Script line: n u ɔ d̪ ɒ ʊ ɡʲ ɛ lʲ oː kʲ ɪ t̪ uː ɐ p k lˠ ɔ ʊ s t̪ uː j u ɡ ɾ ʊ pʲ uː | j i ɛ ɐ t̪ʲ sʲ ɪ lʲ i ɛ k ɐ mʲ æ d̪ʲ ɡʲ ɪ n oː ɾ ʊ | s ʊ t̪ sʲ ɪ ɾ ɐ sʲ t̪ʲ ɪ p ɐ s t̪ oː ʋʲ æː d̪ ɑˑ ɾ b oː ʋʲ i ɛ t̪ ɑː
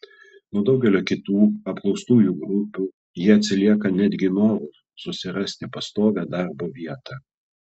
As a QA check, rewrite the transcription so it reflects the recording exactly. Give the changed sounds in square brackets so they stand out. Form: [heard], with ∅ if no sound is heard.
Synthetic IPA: n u ɔ d̪ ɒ ʊ ɡʲ ɛ lʲ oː kʲ ɪ t̪ uː ɐ p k lˠ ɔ ʊ s t̪ uː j u ɡ ɾ ʊ pʲ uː | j i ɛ ɐ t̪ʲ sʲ ɪ lʲ i ɛ k ɐ [nʲ] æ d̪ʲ ɡʲ ɪ n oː ɾ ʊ | s ʊ [∅] sʲ ɪ ɾ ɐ sʲ t̪ʲ ɪ p ɐ s t̪ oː ʋʲ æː d̪ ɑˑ ɾ b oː ʋʲ i ɛ t̪ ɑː

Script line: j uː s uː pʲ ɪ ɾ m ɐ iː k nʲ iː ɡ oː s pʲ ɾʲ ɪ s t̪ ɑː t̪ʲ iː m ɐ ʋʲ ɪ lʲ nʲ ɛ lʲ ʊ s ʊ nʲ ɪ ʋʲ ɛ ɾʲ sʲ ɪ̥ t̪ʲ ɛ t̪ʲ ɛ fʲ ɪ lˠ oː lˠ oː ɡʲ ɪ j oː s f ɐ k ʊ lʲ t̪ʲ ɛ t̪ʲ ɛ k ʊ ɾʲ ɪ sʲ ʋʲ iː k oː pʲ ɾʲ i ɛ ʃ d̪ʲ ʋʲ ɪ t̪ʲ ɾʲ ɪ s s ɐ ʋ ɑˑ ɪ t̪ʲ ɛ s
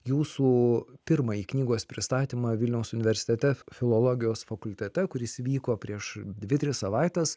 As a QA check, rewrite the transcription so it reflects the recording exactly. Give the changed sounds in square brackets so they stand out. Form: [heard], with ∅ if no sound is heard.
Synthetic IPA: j uː s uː pʲ ɪ ɾ m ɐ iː k nʲ iː ɡ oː s pʲ ɾʲ ɪ s t̪ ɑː t̪ʲ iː m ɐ ʋʲ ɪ lʲ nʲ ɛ [∅] ʊ s ʊ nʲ ɪ ʋʲ ɛ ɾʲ sʲ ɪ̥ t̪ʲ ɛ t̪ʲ ɛ fʲ ɪ lˠ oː lˠ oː ɡʲ ɪ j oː s f ɐ k ʊ lʲ t̪ʲ ɛ t̪ʲ ɛ k ʊ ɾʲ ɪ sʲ ʋʲ iː k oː pʲ ɾʲ i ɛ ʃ d̪ʲ ʋʲ ɪ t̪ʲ ɾʲ ɪ s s ɐ ʋ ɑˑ ɪ t̪ʲ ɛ s

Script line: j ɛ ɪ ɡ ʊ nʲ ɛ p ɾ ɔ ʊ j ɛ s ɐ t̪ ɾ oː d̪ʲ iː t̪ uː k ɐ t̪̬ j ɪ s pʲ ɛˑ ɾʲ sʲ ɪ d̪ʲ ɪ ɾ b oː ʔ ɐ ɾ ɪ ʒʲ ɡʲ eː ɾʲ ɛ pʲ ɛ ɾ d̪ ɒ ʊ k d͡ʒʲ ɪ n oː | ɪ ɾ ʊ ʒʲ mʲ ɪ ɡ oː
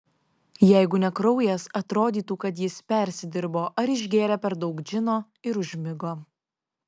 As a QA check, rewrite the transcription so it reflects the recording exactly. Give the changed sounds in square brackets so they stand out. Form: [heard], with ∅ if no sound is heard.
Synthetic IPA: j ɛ ɪ ɡ ʊ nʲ ɛ [k] ɾ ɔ ʊ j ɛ s ɐ t̪ ɾ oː d̪ʲ iː t̪ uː k ɐ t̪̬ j ɪ s pʲ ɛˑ ɾʲ sʲ ɪ d̪ʲ ɪ ɾ b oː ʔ ɐ ɾ ɪ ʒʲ ɡʲ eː ɾʲ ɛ pʲ ɛ ɾ d̪ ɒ ʊ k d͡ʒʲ ɪ n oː | ɪ ɾ ʊ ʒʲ mʲ ɪ ɡ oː

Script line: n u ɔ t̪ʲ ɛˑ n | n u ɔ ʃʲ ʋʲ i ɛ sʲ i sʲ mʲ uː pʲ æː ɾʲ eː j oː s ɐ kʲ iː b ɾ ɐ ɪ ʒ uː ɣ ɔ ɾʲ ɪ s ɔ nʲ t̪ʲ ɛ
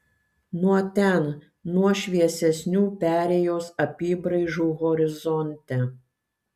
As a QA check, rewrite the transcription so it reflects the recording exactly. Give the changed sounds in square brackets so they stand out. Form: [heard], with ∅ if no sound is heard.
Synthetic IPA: n u ɔ t̪ʲ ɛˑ n | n u ɔ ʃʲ ʋʲ i ɛ sʲ [ɛ] sʲ [nʲ] uː pʲ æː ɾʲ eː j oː s ɐ [pʲ] iː b ɾ ɐ ɪ ʒ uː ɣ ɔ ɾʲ ɪ [z] ɔ nʲ t̪ʲ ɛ

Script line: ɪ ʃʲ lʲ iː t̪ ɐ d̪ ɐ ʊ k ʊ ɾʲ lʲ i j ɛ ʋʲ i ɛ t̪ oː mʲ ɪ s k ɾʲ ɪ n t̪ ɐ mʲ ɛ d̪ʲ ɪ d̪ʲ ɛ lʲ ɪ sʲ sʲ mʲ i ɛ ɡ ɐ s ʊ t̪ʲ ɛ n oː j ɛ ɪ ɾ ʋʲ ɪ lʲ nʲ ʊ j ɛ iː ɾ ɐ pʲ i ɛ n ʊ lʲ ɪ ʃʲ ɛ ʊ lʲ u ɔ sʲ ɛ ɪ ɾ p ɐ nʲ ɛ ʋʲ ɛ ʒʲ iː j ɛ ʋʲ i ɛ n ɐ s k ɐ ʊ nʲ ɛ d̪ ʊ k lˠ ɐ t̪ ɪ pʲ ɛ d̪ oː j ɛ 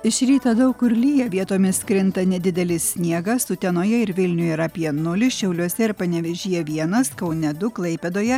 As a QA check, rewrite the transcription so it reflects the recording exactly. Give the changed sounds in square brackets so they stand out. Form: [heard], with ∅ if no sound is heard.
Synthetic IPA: ɪ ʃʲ [ɾʲ] iː t̪ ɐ d̪ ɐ ʊ k ʊ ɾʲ lʲ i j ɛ ʋʲ i ɛ t̪ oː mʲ ɪ s k ɾʲ ɪ n t̪ ɐ [nʲ] ɛ d̪ʲ ɪ d̪ʲ ɛ lʲ ɪ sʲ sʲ [nʲ] i ɛ ɡ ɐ s ʊ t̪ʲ ɛ n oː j ɛ ɪ ɾ ʋʲ ɪ lʲ nʲ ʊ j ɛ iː ɾ ɐ pʲ i ɛ n ʊ lʲ ɪ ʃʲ ɛ ʊ lʲ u ɔ sʲ ɛ ɪ ɾ p ɐ nʲ ɛ ʋʲ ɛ ʒʲ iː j ɛ ʋʲ i ɛ n ɐ s k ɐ ʊ nʲ ɛ d̪ ʊ k lˠ ɐ [∅] ɪ pʲ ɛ d̪ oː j ɛ

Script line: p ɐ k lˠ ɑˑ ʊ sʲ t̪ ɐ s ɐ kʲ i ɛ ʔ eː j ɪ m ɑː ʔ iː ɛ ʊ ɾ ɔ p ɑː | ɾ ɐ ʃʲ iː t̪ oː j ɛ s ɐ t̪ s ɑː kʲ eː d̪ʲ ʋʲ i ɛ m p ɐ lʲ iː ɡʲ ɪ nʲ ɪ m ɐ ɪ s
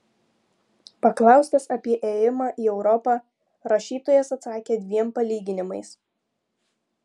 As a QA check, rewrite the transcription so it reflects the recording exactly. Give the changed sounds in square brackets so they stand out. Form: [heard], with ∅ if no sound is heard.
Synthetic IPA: p ɐ k lˠ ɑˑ ʊ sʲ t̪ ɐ s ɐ [pʲ] i ɛ ʔ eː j ɪ m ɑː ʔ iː ɛ ʊ ɾ ɔ p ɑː | ɾ ɐ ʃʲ iː t̪ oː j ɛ s ɐ t̪ s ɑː kʲ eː d̪ʲ ʋʲ i ɛ m p ɐ lʲ iː ɡʲ ɪ nʲ ɪ m ɐ ɪ s

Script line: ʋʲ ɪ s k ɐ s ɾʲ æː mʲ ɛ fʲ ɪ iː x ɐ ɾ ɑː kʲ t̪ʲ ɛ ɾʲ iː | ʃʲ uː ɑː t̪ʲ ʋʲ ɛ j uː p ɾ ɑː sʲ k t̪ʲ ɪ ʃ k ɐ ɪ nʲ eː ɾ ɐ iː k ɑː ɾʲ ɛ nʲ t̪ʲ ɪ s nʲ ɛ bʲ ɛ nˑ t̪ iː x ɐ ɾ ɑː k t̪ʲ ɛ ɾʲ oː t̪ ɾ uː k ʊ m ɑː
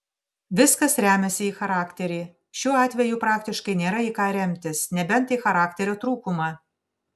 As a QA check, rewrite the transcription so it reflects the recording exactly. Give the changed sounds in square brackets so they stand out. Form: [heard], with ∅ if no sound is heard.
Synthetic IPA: ʋʲ ɪ s k ɐ s ɾʲ æː mʲ ɛ [sʲ] ɪ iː x ɐ ɾ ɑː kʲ t̪ʲ ɛ ɾʲ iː | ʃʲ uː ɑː t̪ʲ ʋʲ ɛ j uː p ɾ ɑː [∅] k t̪ʲ ɪ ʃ k ɐ ɪ nʲ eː ɾ ɐ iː k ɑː ɾʲ ɛ [mʲ] t̪ʲ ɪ s nʲ ɛ bʲ ɛ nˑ t̪ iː x ɐ ɾ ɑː k t̪ʲ ɛ ɾʲ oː t̪ ɾ uː k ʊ m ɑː

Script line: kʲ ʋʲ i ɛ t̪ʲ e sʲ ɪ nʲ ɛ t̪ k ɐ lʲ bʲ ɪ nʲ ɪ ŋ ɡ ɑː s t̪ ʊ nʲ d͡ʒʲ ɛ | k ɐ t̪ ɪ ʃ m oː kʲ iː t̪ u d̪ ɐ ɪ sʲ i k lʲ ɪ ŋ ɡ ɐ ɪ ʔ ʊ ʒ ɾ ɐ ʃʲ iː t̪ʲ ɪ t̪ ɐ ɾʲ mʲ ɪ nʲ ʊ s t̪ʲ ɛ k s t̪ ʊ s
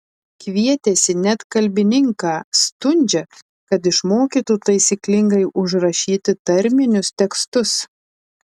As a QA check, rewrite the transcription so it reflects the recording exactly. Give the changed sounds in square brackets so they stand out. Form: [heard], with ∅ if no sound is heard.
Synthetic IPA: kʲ ʋʲ i ɛ t̪ʲ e sʲ ɪ nʲ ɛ t̪ k ɐ lʲ bʲ ɪ nʲ ɪ ŋ [k] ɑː s t̪ ʊ nʲ d͡ʒʲ ɛ | k ɐ t̪ ɪ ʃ m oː kʲ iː t̪ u [t̪] ɐ ɪ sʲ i k lʲ ɪ ŋ ɡ ɐ ɪ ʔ ʊ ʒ ɾ ɐ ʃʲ iː t̪ʲ ɪ t̪ ɐ ɾʲ mʲ ɪ nʲ ʊ s t̪ʲ ɛ k s t̪ ʊ s

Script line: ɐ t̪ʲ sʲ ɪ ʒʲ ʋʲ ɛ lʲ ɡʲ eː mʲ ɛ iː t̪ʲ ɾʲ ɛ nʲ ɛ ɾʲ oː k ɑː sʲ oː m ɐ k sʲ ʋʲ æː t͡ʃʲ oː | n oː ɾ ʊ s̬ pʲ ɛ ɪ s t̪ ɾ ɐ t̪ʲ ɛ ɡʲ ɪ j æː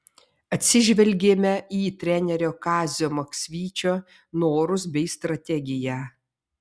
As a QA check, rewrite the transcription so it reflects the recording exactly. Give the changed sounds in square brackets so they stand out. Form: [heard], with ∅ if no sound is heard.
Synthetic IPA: ɐ t̪ʲ sʲ ɪ ʒʲ ʋʲ ɛ lʲ ɡʲ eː mʲ ɛ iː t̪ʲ ɾʲ ɛ nʲ ɛ ɾʲ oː k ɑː [zʲ] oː m ɐ k sʲ ʋʲ [iː] t͡ʃʲ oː | n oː ɾ ʊ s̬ [bʲ] ɛ ɪ s t̪ ɾ ɐ t̪ʲ ɛ ɡʲ ɪ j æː

